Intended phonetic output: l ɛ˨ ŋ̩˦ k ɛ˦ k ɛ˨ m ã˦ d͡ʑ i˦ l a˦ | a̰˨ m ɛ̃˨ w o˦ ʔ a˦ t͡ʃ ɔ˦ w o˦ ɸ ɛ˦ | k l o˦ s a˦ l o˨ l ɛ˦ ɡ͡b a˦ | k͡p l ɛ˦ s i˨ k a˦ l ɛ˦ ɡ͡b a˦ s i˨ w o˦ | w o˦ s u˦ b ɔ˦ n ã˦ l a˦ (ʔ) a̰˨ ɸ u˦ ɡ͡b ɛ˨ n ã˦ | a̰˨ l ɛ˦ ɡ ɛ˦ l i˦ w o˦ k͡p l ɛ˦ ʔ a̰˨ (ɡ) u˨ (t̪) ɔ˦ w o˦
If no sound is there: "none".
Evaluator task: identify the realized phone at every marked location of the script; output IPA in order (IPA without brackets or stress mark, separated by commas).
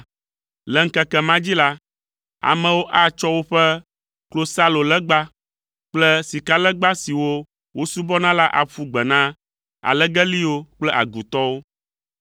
ʔ, ɡ, t̪